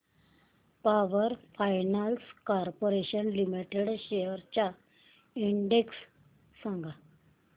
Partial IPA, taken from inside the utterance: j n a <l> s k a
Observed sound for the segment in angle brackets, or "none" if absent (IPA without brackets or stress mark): l